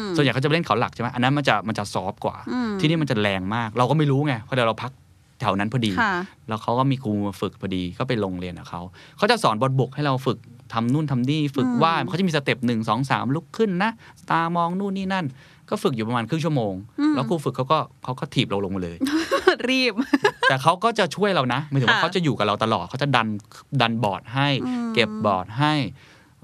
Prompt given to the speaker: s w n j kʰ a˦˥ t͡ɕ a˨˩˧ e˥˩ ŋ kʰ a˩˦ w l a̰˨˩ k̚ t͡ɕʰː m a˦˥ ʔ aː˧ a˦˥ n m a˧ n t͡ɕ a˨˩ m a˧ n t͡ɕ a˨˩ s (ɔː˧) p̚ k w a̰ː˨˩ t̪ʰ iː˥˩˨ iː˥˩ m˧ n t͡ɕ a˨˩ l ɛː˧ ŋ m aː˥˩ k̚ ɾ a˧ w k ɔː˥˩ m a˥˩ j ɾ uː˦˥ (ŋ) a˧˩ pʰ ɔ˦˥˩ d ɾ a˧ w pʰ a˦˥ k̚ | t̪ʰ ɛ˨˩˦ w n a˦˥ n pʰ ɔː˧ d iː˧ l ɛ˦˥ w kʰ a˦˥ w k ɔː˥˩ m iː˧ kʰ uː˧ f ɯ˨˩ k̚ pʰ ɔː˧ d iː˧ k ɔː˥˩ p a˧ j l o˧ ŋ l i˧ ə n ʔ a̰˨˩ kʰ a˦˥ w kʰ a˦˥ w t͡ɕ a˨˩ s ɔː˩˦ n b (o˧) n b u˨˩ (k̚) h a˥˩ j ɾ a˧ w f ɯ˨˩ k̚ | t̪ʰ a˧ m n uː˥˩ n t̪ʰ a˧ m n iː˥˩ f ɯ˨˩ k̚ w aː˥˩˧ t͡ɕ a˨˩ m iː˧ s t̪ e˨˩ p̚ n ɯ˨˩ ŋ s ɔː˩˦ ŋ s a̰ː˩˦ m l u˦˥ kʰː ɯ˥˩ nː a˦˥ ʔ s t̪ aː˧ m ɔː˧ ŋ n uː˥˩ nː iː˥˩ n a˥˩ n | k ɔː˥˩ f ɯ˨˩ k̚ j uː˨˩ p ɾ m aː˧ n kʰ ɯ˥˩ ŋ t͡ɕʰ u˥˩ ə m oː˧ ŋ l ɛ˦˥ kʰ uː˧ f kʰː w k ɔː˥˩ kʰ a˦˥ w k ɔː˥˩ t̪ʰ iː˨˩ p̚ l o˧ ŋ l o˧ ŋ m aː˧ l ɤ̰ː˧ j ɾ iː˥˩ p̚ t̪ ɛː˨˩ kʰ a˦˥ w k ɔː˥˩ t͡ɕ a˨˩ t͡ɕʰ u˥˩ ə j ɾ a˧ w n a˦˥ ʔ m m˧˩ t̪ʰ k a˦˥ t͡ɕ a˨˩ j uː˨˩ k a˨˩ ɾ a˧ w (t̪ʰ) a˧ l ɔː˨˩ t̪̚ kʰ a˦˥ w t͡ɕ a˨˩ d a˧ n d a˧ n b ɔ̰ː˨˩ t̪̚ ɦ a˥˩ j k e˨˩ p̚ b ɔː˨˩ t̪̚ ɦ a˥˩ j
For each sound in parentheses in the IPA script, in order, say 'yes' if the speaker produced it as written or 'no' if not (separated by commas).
no, yes, no, yes, no